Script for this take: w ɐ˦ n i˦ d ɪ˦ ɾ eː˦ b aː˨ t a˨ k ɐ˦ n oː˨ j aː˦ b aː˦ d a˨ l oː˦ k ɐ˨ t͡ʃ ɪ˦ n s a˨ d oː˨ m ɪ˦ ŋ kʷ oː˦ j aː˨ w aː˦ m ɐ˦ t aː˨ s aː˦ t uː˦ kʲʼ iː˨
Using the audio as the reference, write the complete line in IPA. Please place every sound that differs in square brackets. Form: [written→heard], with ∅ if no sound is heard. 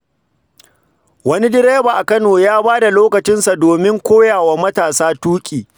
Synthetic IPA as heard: w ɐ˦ n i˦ d ɪ˦ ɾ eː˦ b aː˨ [t→ʔ] a˨ k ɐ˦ n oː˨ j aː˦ b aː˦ d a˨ l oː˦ k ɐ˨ t͡ʃ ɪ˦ n s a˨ d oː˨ m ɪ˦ ŋ kʷ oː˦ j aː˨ w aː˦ m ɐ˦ t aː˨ s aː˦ t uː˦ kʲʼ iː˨